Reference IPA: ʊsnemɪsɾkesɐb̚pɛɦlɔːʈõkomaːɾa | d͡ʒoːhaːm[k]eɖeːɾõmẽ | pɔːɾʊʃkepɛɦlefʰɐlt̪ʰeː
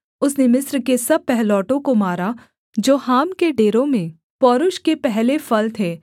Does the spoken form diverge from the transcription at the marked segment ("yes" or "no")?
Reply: no